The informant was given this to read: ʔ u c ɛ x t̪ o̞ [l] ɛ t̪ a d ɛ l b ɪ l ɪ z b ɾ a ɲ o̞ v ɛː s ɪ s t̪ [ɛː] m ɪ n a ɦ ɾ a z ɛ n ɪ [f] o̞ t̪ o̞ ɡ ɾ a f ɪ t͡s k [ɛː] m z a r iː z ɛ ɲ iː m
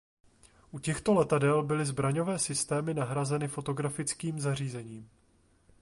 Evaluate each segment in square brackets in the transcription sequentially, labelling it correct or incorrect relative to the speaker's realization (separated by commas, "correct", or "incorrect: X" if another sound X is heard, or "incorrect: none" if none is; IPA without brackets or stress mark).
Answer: correct, correct, correct, incorrect: iː